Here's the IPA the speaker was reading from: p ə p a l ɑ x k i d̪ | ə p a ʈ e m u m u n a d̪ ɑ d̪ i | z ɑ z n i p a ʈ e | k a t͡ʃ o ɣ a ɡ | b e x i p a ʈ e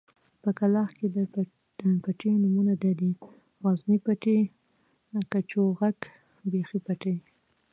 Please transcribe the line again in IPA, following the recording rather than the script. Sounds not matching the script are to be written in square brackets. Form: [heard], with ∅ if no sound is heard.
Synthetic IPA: p ə [k] a l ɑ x k [e] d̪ | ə p a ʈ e [n] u m u n a d̪ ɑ d̪ i | [ɣ] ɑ z n i p a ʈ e | k a t͡ʃ o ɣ a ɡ | b e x i p a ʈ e